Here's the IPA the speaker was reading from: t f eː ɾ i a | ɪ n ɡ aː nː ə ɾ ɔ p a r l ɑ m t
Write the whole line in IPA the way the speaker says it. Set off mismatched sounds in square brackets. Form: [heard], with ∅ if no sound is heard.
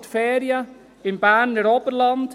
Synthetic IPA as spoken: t f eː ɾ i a | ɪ n [b] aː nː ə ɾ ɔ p [ə] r l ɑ [n] t